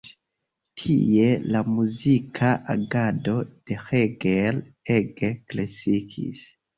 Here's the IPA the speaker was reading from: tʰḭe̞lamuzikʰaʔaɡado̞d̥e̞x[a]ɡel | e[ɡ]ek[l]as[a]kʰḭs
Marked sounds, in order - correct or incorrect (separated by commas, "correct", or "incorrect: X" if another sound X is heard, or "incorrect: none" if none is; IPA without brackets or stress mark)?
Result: incorrect: e, correct, correct, incorrect: i